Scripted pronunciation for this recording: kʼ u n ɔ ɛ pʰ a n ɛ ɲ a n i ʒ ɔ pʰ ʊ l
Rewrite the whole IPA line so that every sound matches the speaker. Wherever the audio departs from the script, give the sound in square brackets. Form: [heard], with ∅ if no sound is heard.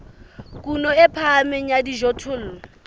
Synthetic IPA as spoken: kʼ u n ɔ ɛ pʰ a [m] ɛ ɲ a [d] i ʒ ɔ [tʰ] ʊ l